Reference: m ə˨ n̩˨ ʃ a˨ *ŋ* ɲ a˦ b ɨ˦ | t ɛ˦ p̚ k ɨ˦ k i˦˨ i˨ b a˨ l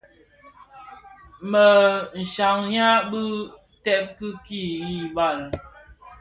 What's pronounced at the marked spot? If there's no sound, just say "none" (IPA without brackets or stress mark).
ŋ